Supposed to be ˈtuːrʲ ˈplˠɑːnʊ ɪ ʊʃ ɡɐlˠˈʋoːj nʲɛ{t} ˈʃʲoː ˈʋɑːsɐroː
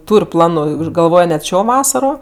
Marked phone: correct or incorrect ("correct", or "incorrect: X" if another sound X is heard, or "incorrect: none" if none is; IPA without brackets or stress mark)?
correct